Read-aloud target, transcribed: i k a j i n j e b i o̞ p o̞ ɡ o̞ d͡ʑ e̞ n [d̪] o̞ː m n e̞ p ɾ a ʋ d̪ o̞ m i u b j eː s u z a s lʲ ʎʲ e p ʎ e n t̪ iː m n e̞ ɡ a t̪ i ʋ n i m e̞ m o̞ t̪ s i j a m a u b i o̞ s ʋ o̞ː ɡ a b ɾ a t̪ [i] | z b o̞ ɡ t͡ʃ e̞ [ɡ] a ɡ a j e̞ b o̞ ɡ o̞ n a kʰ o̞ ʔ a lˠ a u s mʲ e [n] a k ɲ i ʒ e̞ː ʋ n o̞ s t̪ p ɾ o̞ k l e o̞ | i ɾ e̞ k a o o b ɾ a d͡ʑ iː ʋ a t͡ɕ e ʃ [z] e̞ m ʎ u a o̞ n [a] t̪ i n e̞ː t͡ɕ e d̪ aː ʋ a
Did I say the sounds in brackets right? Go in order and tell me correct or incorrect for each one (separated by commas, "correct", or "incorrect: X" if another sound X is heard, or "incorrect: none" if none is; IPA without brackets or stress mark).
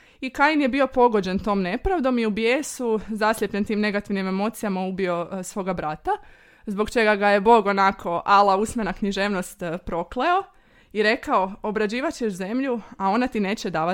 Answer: incorrect: t̪, incorrect: a, correct, correct, correct, correct